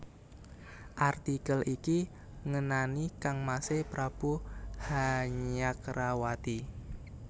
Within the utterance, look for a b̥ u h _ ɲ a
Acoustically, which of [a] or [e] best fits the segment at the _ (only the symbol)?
a